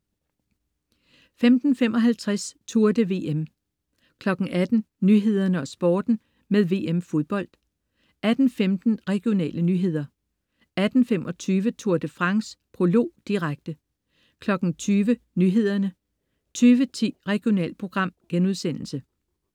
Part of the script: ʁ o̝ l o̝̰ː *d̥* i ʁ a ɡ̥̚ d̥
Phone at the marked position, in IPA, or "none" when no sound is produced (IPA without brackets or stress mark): d̥